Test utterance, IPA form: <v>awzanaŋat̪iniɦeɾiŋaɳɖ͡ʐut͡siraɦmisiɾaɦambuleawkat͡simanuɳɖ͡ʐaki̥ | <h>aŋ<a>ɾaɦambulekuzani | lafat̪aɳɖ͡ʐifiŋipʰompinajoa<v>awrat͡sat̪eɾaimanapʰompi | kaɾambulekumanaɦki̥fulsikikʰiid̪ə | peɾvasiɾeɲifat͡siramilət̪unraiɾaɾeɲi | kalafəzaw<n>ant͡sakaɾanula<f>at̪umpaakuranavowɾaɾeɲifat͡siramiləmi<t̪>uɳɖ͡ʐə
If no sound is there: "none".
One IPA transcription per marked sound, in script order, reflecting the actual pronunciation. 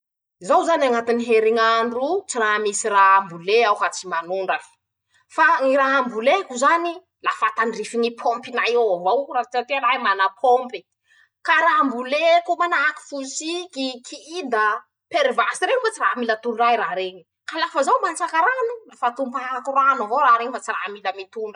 z, f, i, v, m, f, t̪

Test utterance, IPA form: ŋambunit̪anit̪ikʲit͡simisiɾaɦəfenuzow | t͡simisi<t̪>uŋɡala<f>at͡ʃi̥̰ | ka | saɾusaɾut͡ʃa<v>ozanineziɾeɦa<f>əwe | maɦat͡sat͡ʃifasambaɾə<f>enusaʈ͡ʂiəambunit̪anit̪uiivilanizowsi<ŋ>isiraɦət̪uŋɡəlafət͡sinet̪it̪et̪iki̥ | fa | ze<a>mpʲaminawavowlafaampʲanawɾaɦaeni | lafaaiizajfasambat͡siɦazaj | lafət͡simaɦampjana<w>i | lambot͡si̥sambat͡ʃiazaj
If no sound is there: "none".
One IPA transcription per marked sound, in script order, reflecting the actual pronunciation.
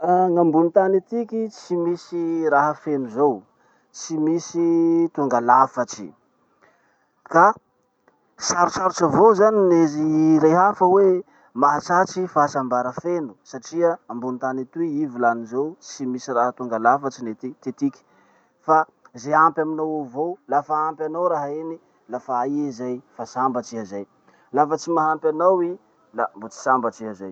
t̪, f, v, f, f, m, a, w

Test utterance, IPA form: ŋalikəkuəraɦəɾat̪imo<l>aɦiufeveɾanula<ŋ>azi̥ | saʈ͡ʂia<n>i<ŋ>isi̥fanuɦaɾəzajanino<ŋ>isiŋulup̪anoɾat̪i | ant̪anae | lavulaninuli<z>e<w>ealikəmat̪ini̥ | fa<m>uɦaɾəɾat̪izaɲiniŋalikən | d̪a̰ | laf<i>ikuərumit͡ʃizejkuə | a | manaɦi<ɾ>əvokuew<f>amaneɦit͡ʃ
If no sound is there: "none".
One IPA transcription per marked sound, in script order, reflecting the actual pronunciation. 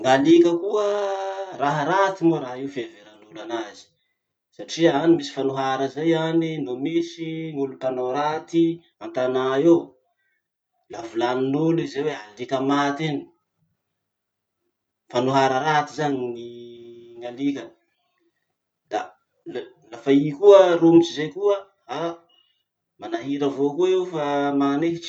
ɾ, n, n, m, m, z, w, n, a, ɾ, f

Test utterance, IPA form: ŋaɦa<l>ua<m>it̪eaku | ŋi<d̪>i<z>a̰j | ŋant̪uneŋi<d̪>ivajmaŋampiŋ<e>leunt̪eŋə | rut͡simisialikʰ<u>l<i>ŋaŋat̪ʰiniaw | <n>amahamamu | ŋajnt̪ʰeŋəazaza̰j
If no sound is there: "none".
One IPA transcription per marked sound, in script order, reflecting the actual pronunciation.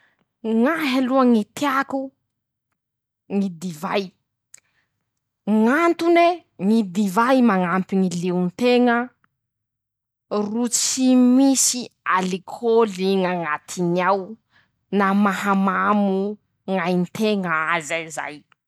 l, ŋ, d̪, v, d̪, i, o, i, n

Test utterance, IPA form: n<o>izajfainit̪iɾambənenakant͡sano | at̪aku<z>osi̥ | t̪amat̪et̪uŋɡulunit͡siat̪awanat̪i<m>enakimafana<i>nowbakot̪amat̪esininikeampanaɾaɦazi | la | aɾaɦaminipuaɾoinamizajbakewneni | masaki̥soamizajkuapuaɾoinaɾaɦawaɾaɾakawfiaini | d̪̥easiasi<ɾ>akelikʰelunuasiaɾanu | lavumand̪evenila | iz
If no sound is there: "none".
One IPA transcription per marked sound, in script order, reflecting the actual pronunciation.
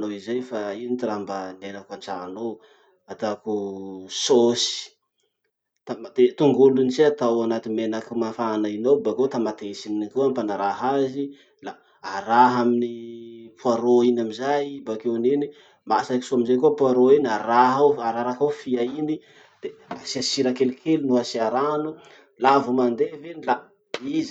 o, s, m, i, ɾ

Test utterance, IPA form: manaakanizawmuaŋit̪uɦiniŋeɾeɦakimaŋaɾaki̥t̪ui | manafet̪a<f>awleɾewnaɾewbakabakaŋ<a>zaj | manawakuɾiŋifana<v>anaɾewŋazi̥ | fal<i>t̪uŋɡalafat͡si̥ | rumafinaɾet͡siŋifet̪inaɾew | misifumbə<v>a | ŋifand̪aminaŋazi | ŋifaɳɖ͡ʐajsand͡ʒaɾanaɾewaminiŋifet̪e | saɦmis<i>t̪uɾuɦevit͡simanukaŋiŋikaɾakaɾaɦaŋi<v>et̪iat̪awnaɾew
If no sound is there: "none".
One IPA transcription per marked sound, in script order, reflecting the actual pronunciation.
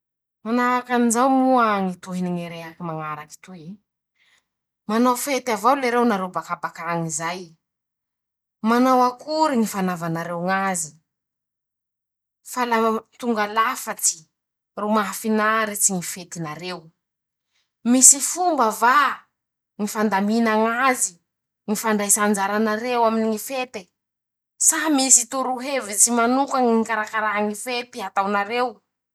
v, i, v, a, v, i, f

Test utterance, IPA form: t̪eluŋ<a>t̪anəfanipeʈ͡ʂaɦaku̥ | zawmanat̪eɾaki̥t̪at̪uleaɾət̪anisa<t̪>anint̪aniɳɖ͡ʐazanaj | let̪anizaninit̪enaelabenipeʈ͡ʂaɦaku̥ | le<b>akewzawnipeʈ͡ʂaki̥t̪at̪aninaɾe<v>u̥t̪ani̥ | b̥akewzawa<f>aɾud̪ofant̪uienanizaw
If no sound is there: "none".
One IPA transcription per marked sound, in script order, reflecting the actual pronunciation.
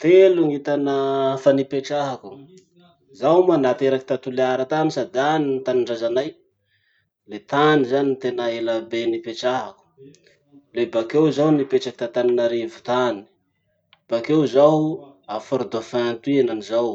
i, d̪, b, v, f

